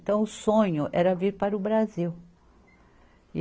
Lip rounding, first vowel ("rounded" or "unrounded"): unrounded